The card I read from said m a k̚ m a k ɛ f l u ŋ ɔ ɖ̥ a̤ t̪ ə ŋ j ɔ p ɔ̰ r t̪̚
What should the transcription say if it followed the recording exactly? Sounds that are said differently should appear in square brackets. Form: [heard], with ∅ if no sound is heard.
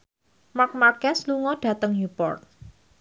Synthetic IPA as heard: m a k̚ m a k ɛ [s] l u ŋ ɔ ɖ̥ a̤ t̪ ə ŋ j [u] p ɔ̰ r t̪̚